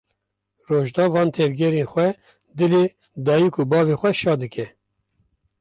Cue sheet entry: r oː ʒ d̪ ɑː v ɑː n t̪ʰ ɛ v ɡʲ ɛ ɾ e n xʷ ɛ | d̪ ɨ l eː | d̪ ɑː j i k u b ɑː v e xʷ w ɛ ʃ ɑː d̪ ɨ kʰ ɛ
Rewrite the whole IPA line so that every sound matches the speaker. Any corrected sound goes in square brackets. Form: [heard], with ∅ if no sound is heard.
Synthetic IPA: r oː ʒ d̪ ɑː v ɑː n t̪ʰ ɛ v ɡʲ ɛ ɾ e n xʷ ɛ | d̪ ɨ l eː | d̪ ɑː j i k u b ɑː v e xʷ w ɛ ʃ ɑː d̪ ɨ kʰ ɛ

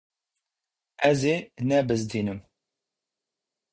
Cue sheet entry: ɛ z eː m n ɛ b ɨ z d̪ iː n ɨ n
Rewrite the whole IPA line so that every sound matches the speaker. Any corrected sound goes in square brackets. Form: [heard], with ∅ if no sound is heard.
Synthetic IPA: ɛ z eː [∅] n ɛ b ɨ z d̪ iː n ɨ [m]

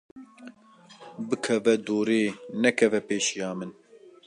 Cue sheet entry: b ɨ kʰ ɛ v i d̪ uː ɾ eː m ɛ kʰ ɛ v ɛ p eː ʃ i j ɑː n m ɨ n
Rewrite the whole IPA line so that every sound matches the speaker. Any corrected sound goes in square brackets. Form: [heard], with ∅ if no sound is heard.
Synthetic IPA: b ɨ kʰ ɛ v [ɛ] d̪ uː ɾ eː [n] ɛ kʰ ɛ v ɛ p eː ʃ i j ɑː [∅] m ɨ n

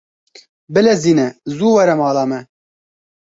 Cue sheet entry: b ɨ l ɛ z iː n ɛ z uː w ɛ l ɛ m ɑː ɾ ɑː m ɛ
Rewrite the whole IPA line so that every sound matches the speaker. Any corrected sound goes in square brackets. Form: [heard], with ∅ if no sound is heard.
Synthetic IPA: b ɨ l ɛ z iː n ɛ z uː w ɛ [ɾ] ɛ m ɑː [l] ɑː m ɛ

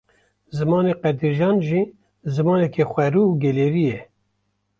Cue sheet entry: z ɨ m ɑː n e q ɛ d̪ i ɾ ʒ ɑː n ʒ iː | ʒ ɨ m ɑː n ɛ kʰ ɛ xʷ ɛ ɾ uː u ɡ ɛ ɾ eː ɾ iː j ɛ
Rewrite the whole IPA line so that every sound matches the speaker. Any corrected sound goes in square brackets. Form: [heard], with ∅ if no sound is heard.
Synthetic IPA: z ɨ m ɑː n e q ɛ d̪ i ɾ ʒ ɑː n ʒ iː | [z] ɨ m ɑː n ɛ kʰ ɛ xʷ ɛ ɾ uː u ɡ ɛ [l] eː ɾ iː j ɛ

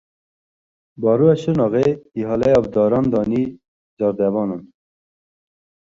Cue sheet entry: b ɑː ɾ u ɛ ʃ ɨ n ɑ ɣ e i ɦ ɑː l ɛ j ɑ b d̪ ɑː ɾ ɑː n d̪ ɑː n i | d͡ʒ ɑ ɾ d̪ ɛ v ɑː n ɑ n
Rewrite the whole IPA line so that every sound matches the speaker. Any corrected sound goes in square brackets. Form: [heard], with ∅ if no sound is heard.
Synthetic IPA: b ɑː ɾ u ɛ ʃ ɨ n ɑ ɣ e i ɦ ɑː l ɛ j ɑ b d̪ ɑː ɾ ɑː n d̪ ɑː n i | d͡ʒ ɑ ɾ d̪ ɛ v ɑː n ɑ n

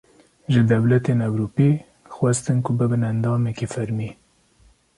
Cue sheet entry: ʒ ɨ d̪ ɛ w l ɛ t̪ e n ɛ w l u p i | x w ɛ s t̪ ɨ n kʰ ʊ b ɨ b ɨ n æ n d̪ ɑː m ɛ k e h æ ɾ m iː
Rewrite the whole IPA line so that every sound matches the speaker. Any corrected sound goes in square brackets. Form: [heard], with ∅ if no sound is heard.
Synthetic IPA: ʒ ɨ d̪ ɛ w l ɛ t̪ e n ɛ w [ɾ] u p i | x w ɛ s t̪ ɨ n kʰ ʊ b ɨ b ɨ n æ n d̪ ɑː m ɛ k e [f] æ ɾ m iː

